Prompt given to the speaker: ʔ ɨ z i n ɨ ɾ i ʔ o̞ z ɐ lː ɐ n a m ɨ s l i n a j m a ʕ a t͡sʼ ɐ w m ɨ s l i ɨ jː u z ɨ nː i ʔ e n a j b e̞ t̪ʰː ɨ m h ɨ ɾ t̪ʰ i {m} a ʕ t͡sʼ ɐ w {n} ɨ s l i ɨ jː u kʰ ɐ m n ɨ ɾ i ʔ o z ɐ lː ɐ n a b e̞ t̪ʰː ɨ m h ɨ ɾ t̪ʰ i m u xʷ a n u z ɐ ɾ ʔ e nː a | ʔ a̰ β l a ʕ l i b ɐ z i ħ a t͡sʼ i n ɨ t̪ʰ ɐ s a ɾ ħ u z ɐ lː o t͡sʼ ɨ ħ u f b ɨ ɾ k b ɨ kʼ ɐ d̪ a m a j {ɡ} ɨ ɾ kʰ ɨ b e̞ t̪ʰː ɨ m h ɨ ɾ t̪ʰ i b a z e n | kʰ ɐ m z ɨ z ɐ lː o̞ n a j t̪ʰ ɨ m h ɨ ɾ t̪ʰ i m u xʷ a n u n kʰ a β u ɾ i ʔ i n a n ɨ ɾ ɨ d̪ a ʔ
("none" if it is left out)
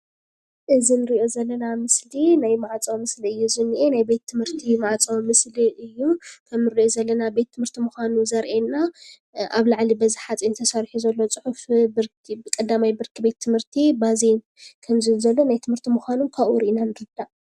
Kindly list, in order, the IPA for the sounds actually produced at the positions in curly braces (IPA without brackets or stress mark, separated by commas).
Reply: m, m, b